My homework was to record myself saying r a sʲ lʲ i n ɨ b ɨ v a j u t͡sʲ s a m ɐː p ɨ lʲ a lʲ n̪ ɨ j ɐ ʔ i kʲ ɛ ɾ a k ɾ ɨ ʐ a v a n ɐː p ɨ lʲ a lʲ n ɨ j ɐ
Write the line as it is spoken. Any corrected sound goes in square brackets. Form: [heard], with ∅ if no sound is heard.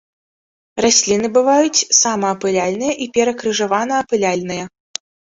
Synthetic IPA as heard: r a sʲ lʲ i n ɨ b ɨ v a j u t͡sʲ s a m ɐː p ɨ lʲ a lʲ n̪ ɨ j ɐ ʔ i [pʲ] ɛ ɾ [ɐ] k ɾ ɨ ʐ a v a n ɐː p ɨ lʲ a lʲ n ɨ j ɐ